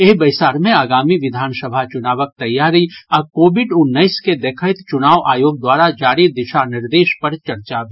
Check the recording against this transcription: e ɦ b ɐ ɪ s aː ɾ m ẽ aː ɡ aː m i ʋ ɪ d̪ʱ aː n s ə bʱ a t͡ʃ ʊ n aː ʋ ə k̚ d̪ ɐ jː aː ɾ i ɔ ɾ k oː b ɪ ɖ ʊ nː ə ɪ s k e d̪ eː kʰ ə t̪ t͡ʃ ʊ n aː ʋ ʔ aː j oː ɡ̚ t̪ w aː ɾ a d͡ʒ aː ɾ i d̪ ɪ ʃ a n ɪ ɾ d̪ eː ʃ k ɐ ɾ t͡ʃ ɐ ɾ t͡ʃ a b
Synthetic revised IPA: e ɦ b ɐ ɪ s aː ɾ m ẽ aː ɡ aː m i ʋ ɪ d̪ʱ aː n s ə bʱ a t͡ʃ ʊ n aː ʋ ə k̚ t̪ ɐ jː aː ɾ i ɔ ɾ k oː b ɪ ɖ ʊ nː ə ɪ s k e d̪ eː kʰ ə t̪ t͡ʃ ʊ n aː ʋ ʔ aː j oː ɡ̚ d̪ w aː ɾ a d͡ʒ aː ɾ i d̪ ɪ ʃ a n ɪ ɾ d̪ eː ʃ p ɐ ɾ t͡ʃ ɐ ɾ t͡ʃ a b